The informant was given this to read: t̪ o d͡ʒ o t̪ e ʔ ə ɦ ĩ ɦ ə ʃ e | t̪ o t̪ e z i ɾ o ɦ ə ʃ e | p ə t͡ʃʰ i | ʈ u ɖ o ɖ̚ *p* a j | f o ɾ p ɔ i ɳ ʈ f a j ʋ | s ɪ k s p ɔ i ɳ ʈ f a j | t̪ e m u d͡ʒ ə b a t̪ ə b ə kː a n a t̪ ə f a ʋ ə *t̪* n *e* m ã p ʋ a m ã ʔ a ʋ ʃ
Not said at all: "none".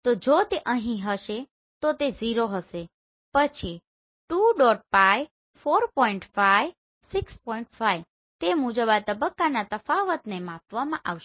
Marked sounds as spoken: p, t̪, e

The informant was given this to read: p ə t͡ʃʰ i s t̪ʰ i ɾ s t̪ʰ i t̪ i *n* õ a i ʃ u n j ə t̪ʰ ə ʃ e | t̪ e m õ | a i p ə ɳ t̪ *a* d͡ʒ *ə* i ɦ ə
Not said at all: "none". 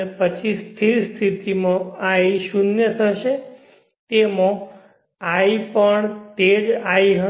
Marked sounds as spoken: m, e, a

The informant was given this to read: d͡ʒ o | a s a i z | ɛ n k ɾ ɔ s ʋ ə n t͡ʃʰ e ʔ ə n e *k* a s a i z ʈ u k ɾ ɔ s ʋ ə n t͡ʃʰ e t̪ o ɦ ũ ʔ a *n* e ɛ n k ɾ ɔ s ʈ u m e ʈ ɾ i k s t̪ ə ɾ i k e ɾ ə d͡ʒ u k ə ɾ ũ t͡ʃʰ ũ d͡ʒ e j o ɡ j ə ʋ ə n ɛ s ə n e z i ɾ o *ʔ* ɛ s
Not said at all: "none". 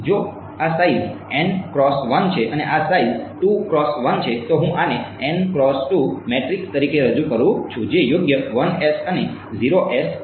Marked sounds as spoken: ʔ, n, ʔ

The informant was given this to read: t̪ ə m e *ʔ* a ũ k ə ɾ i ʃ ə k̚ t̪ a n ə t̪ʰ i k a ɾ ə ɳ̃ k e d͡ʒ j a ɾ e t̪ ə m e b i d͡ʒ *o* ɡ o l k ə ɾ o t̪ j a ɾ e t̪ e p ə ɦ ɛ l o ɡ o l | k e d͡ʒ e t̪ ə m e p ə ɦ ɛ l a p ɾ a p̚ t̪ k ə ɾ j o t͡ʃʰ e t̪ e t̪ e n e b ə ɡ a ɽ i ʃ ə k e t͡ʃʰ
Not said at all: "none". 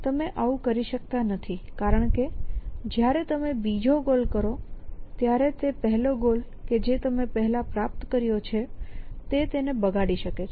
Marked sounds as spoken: ʔ, o

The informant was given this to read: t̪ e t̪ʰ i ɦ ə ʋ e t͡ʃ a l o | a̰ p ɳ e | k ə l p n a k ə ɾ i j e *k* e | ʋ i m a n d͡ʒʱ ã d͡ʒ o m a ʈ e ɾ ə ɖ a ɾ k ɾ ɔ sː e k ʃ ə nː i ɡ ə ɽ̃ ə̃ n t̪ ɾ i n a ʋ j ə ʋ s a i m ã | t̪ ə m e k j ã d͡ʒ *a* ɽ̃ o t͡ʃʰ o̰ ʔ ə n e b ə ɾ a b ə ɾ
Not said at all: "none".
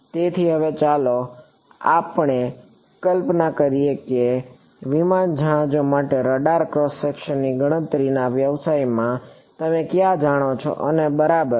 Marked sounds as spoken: k, a

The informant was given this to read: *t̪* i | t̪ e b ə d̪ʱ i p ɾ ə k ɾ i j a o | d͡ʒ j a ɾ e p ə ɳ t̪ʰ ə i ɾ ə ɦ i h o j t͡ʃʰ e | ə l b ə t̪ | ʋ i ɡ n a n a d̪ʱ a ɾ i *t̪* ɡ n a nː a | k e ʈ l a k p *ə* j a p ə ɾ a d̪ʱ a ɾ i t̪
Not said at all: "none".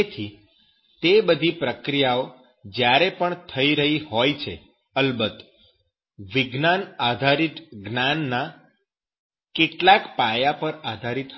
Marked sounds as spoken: t̪ʰ, t̪, a

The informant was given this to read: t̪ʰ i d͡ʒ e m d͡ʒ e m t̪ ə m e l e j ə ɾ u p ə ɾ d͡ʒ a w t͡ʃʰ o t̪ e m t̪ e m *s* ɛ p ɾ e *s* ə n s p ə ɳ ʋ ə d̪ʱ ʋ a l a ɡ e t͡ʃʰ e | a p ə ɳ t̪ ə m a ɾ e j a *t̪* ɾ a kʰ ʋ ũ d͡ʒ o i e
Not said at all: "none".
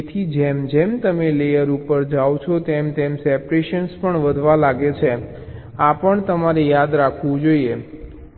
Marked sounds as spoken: s, ʃ, d̪

